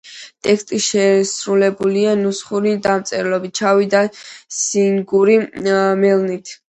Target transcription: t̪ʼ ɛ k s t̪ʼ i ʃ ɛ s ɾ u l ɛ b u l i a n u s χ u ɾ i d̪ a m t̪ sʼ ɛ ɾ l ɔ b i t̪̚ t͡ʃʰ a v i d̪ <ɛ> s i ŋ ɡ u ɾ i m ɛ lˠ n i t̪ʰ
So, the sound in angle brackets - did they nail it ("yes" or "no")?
no